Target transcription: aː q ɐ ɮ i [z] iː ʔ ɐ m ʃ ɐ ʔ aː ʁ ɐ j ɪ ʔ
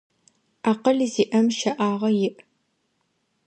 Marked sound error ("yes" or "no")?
no